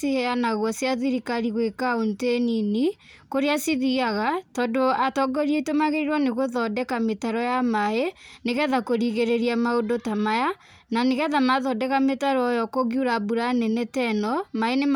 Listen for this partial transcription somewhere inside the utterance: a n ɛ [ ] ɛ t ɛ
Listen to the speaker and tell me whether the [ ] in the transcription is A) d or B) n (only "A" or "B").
B